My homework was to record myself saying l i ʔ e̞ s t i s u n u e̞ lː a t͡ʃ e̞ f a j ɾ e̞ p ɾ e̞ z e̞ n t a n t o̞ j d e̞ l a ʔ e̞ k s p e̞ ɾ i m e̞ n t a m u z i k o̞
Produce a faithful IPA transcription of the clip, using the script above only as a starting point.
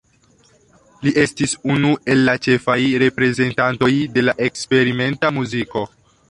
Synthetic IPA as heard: l i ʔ e̞ s t i s u n u e̞ lː a t͡ʃ e̞ f a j ɾ e̞ p ɾ e̞ z e̞ n t a n t o̞ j d e̞ l a ʔ e̞ k s p e̞ ɾ i m e̞ n t a m u z i k o̞